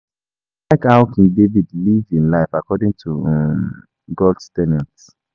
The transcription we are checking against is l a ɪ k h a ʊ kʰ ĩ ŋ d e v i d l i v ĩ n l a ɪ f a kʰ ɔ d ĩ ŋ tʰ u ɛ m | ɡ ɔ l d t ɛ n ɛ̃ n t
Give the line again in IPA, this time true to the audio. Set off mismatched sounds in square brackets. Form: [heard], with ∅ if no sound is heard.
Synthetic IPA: l a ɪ k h a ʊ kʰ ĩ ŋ d e v i d l i v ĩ n l a ɪ f a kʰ ɔ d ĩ ŋ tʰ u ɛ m | ɡ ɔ l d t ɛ n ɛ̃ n t